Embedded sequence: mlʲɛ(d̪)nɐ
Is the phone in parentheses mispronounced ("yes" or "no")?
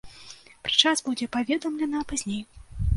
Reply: yes